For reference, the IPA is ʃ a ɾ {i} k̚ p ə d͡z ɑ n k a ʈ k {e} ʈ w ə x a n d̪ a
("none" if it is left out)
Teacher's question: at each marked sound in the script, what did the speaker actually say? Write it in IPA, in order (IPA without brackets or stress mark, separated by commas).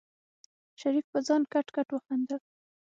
i, a